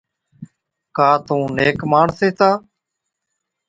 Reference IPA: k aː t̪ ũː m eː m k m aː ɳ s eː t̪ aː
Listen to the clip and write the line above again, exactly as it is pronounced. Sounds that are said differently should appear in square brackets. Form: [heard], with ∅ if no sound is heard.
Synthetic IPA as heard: k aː t̪ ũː [n] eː [∅] k m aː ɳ s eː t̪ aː